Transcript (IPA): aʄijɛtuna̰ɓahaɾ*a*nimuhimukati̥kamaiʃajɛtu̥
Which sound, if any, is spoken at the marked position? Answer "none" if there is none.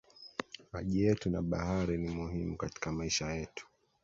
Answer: i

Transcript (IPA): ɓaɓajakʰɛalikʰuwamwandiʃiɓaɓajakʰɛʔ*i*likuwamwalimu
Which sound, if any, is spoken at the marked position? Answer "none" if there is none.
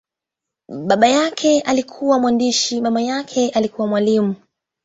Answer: a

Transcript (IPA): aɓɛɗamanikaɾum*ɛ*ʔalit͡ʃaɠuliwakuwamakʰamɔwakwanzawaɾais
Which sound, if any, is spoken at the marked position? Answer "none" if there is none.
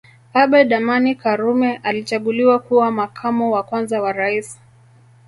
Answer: ɛ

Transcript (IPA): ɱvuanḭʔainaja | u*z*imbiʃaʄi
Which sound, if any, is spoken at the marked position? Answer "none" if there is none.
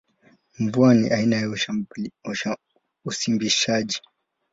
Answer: s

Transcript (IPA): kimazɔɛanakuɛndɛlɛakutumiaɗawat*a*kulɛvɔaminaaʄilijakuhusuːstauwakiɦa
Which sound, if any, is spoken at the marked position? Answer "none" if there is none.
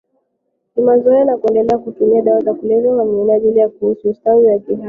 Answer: a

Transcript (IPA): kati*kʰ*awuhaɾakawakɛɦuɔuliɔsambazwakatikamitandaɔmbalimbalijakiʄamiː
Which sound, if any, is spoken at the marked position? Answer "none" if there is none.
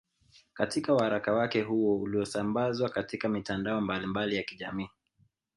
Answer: k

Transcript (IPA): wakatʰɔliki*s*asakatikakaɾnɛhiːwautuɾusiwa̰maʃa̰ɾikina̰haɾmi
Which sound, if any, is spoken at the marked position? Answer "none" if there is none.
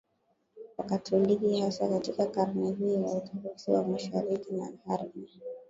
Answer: h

